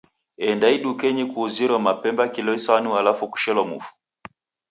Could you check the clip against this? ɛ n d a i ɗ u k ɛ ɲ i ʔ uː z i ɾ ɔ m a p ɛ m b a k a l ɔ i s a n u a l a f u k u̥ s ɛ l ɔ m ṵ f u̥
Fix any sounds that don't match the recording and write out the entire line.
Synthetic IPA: ɛ n d a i ɗ u k ɛ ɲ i k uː z i ɾ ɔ m a p ɛ m b a k i l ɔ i s a n u a l a f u k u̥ ʃ ɛ l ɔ m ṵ f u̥